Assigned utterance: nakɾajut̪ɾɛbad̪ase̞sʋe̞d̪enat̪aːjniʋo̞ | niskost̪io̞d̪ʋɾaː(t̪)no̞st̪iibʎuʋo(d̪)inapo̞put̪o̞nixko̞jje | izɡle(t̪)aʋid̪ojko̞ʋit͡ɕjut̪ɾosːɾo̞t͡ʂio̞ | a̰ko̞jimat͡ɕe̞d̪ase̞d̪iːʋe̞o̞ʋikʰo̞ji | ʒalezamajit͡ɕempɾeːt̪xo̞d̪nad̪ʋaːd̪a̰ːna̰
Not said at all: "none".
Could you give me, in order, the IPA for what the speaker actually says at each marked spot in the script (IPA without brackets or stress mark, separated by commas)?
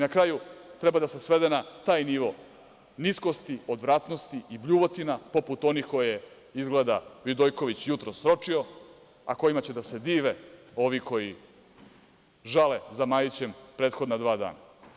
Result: t̪, t̪, d̪